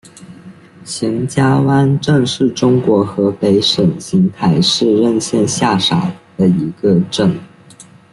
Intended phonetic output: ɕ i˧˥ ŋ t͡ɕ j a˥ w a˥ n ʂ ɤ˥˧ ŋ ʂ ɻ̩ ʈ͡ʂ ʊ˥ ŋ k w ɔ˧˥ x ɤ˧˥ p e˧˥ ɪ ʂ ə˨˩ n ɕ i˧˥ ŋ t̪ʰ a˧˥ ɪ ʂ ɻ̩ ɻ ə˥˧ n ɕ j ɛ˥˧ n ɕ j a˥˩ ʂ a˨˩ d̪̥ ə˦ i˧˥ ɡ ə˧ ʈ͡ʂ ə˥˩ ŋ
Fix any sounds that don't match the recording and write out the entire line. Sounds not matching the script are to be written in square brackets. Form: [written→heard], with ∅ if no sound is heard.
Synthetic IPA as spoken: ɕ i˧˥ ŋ t͡ɕ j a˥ w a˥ n [ʂ→ʈ͡ʂ] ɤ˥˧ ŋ ʂ ɻ̩ ʈ͡ʂ ʊ˥ ŋ k w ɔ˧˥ x ɤ˧˥ p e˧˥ ɪ ʂ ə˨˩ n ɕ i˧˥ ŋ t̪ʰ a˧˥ ɪ ʂ ɻ̩ ɻ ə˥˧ n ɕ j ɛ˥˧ n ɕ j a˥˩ ʂ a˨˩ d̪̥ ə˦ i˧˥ ɡ ə˧ ʈ͡ʂ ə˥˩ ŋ